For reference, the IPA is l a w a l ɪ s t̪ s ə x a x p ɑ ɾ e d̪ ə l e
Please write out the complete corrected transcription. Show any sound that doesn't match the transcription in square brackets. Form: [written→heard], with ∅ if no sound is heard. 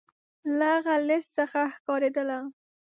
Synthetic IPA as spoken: l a [w→ɣ] a l ɪ s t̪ s ə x a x [p→k] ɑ ɾ e d̪ ə l [e→a]